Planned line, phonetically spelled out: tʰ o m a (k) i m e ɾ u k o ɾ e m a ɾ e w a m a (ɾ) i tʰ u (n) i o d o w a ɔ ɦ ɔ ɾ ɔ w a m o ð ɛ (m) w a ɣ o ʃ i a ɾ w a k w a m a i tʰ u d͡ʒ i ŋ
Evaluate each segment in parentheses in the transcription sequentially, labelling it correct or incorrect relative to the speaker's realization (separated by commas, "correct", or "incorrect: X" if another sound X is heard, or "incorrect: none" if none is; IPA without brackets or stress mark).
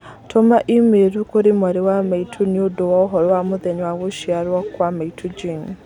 incorrect: ʔ, incorrect: none, correct, incorrect: ɲ